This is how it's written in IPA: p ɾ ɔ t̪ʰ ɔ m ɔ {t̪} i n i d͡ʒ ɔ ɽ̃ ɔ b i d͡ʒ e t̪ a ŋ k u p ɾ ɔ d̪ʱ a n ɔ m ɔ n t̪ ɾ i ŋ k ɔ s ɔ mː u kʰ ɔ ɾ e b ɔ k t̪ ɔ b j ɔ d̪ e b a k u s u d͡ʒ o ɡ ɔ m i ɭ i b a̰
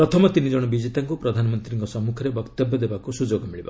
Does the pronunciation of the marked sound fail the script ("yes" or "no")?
no